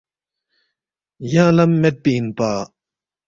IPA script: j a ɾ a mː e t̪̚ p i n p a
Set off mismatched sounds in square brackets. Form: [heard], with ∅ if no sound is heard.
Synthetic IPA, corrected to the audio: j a [l] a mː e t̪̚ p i n p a